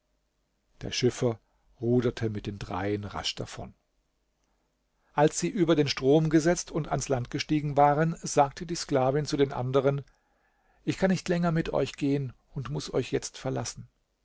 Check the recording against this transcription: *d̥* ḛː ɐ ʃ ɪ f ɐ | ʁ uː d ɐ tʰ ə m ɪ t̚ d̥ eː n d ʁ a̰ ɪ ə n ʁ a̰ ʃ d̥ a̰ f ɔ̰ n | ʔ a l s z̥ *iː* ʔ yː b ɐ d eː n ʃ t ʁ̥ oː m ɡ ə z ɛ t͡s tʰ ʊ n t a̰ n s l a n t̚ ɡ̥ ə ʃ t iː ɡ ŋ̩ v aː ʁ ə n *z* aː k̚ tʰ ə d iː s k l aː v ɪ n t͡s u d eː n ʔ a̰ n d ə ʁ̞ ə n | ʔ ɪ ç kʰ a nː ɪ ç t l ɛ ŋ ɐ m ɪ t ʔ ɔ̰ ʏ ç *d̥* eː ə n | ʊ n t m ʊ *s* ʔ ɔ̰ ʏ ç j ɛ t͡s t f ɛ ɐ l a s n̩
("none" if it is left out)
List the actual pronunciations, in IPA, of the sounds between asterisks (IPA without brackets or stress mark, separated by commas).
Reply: d̥, iː, z, ɡ̥, s